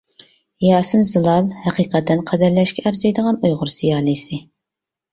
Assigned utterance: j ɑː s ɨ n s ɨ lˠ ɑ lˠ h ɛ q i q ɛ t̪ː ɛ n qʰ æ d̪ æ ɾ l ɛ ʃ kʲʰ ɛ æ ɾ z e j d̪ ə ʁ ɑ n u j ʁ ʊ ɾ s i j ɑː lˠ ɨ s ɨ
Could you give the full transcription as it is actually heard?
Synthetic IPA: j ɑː s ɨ n z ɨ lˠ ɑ lˠ h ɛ q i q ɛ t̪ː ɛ n qʰ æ d̪ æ ɾ l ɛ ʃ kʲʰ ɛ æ ɾ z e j d̪ ə ʁ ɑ n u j ʁ ʊ ɾ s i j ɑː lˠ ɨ s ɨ